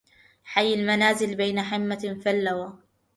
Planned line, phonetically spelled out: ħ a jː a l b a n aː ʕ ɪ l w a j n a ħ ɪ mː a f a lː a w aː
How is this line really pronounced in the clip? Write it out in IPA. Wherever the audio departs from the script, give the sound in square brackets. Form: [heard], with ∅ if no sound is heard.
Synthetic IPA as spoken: ħ a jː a l [m] a n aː [z] ɪ l [b] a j n a ħ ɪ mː a f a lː a w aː

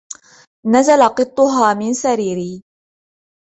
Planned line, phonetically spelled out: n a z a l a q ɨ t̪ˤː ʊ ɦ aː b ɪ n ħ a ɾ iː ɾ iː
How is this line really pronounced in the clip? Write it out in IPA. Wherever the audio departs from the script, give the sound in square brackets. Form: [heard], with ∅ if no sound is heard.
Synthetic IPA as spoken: n a z a l a q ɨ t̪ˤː ʊ ɦ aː [m] ɪ n [s] a ɾ iː ɾ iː

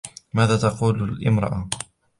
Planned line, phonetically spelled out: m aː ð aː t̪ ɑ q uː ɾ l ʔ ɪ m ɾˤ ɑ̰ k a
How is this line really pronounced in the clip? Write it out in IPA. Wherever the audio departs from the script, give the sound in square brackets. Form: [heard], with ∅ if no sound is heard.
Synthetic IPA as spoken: m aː ð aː t̪ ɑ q uː [l] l ʔ ɪ m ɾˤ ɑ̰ [ʔ] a

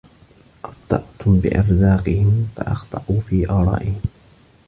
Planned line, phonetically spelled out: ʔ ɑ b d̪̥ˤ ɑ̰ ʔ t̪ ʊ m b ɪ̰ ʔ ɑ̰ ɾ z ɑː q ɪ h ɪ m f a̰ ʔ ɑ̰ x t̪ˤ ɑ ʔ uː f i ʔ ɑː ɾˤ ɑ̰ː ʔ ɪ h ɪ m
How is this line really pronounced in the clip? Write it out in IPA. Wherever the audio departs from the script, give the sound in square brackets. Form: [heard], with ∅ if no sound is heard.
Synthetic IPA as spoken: ʔ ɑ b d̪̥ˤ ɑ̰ ʔ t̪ ʊ m b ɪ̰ ʔ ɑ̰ ɾ z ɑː q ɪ h ɪ m f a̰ ʔ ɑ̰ x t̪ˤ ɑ ʔ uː f [iː] ʔ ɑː ɾˤ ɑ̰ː ʔ ɪ h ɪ m

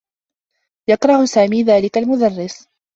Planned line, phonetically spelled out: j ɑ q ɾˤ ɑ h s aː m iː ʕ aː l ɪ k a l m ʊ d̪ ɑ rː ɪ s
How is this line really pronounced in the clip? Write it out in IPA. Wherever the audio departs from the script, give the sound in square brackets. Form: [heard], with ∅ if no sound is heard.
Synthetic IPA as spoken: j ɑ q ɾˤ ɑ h s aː m iː [ð] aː l ɪ k a l m ʊ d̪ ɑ rː ɪ s

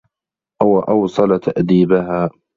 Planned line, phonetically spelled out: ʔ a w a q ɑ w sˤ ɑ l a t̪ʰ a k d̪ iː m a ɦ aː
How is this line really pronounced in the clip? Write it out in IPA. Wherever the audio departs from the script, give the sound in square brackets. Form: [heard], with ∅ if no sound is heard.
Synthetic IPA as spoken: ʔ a w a [ʔ] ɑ w sˤ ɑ l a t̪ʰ a [ʔ] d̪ iː [b] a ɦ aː

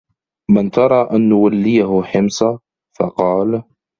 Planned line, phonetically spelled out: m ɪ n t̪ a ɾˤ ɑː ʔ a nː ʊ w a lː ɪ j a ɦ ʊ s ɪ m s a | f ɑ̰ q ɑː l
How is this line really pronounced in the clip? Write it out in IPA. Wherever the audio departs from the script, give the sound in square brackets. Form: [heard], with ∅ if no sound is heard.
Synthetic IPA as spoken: m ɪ n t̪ [ɑ] ɾˤ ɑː ʔ a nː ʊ w a lː ɪ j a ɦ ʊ [ħ] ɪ m s a | f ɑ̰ q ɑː l

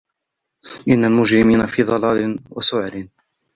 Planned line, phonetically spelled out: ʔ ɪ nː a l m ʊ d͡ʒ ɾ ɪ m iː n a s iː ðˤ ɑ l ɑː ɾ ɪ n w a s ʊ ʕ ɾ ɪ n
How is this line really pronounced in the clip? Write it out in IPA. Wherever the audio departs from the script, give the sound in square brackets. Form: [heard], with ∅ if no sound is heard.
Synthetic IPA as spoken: ʔ ɪ nː a l m ʊ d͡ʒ ɾ ɪ m iː n a [f] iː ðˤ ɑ l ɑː [l] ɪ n w a s ʊ ʕ ɾ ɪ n

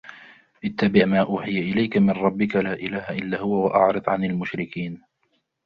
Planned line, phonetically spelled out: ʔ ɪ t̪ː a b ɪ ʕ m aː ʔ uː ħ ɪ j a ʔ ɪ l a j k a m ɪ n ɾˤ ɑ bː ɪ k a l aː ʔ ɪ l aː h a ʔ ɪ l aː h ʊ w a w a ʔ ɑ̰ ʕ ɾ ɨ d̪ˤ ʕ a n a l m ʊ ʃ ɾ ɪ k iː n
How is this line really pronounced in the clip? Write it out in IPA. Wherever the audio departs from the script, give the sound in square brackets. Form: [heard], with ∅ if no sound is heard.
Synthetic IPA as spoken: ʔ ɪ t̪ː a b ɪ ʕ m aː ʔ uː ħ ɪ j a ʔ ɪ l a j k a m ɪ n ɾˤ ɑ bː ɪ k a l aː ʔ ɪ l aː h a ʔ ɪ [lː] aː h ʊ w a w a ʔ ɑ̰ ʕ ɾ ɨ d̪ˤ ʕ a n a l m ʊ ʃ ɾ ɪ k iː n

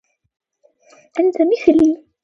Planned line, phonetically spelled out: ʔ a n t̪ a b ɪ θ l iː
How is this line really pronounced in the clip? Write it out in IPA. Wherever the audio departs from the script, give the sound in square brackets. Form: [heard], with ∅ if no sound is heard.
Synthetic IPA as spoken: ʔ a n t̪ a [m] ɪ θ l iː

